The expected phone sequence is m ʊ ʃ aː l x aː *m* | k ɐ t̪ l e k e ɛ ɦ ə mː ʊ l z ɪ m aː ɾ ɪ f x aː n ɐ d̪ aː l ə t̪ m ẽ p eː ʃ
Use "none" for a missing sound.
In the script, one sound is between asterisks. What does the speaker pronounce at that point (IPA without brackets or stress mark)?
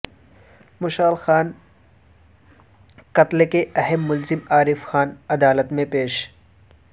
n